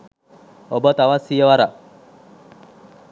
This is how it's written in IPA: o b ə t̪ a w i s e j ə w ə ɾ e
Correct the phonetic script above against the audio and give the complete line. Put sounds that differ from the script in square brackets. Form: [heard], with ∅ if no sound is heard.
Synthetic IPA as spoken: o b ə t̪ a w [a] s [i] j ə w [a] ɾ [a]